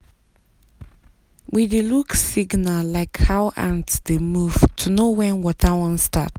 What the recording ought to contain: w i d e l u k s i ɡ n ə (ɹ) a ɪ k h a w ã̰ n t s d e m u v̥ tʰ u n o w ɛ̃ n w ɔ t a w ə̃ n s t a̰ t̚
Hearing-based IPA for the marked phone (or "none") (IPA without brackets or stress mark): l